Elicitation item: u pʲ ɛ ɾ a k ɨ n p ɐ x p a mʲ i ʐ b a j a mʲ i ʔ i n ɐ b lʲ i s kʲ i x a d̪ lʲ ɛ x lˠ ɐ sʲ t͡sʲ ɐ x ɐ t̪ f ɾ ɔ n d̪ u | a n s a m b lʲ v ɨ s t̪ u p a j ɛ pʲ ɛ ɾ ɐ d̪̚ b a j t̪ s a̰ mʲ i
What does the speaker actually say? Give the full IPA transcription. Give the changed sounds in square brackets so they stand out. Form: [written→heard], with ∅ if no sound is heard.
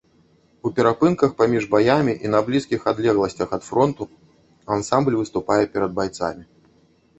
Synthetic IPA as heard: u pʲ ɛ ɾ a [k→p] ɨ n [p→k] ɐ x p a mʲ i ʐ b a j a mʲ i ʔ i n ɐ b lʲ i s kʲ i x a d̪ lʲ ɛ [x→ɣ] lˠ ɐ sʲ t͡sʲ ɐ x ɐ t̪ f ɾ ɔ n [d̪→t̪] u | a n s a m b lʲ v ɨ s t̪ u p a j ɛ pʲ ɛ ɾ ɐ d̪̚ b a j t̪ s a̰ mʲ i